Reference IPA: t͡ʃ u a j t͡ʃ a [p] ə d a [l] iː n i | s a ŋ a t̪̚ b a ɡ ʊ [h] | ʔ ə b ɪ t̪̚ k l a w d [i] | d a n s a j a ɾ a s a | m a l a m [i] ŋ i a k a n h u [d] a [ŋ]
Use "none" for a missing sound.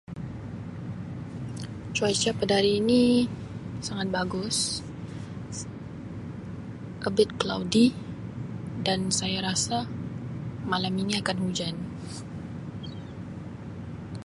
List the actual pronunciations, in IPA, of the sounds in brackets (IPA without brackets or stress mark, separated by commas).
p, ɾ, s, i, i, d͡ʒ, n